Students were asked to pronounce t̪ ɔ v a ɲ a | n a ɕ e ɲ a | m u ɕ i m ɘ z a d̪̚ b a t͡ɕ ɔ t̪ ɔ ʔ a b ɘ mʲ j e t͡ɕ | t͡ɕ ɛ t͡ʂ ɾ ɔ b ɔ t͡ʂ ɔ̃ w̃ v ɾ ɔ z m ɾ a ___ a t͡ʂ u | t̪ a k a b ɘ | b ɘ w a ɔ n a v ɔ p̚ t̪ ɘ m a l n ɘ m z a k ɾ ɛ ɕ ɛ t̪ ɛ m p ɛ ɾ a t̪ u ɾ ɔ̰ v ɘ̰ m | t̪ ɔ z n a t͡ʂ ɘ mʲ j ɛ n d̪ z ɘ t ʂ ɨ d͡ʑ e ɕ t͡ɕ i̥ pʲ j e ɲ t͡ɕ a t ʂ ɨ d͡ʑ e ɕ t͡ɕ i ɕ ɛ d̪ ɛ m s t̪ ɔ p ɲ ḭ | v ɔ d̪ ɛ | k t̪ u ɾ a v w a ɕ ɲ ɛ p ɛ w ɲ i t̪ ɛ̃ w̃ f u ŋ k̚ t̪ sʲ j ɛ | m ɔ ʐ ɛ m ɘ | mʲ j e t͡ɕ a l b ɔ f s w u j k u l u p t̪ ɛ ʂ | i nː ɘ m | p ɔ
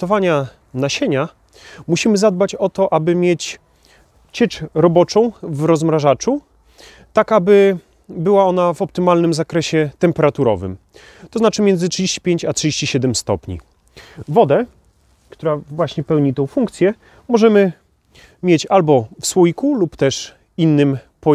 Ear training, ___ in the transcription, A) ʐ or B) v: A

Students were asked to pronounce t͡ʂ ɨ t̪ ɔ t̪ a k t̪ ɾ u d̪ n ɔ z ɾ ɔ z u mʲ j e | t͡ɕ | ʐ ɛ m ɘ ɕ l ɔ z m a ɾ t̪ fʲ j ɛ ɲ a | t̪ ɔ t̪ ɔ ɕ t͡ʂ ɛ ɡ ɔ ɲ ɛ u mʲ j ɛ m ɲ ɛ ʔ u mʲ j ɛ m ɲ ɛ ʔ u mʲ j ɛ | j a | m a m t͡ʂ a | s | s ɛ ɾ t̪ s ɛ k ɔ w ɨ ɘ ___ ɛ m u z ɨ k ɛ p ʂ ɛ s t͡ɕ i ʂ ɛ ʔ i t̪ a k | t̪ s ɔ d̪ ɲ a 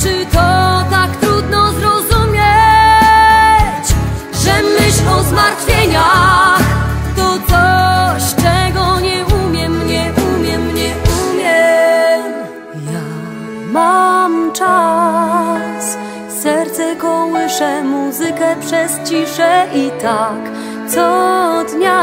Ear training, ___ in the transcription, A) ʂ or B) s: A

